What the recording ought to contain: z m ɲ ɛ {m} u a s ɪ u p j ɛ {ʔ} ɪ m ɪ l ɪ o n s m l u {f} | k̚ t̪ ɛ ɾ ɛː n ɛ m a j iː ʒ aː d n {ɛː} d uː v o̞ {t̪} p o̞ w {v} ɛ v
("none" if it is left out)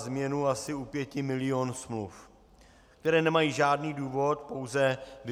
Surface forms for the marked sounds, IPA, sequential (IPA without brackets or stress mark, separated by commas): n, c, f, iː, t̪, z